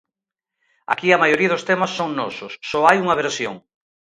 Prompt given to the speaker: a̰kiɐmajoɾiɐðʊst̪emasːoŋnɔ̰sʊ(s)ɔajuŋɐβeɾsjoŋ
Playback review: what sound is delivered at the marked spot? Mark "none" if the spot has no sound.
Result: sː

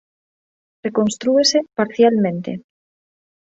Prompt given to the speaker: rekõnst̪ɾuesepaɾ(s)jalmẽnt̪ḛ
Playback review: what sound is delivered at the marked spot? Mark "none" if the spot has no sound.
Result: θ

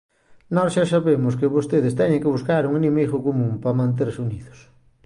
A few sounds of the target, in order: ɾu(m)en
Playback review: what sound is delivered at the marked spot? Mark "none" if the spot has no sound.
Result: ŋ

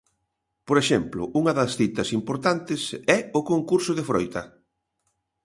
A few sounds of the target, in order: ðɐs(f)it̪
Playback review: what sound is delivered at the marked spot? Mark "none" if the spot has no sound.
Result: θ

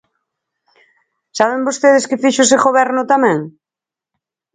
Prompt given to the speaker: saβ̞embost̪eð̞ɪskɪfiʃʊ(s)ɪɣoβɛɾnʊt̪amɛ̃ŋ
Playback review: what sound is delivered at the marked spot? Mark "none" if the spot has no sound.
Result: s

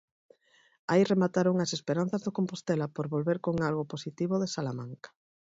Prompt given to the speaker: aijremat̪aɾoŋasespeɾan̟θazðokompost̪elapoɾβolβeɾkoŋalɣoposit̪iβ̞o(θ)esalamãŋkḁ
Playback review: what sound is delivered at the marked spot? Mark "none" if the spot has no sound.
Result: ð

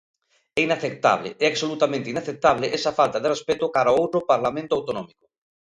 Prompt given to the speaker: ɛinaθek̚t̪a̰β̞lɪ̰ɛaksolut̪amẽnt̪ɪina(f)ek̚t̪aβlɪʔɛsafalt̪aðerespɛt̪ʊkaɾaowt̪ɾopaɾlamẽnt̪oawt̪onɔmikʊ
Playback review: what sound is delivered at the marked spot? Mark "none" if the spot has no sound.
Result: θ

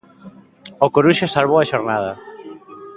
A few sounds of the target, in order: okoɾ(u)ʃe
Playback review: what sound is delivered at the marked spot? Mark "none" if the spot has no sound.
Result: u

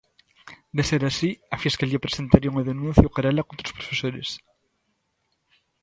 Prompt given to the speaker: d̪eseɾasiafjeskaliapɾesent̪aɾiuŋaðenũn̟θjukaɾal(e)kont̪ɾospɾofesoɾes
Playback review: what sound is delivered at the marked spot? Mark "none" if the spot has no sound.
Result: a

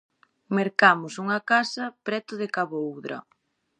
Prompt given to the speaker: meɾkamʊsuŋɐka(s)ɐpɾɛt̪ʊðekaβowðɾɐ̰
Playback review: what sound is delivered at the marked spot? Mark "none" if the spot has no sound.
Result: s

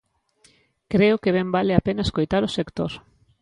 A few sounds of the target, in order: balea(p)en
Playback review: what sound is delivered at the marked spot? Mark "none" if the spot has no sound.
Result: p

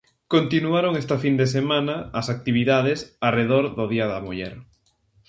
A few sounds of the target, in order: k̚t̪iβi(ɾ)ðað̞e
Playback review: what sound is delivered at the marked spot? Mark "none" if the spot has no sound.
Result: none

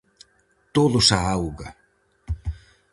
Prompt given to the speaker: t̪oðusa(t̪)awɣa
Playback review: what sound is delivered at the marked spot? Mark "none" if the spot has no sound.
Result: none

